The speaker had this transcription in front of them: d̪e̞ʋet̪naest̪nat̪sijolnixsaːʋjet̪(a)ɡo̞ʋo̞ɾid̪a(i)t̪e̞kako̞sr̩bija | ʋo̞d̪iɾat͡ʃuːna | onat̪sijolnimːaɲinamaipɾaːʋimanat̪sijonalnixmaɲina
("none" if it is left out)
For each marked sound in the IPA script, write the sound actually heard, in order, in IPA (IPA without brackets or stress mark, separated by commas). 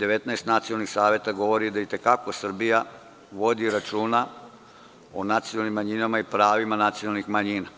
a, i